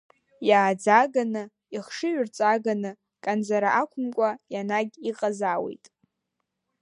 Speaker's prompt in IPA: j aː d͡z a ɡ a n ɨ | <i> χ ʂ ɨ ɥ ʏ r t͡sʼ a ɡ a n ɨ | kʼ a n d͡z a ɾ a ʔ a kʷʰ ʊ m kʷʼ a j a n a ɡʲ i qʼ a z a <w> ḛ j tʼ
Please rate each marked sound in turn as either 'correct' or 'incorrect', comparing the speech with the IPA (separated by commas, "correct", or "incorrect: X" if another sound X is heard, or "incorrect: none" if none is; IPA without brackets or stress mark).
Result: correct, correct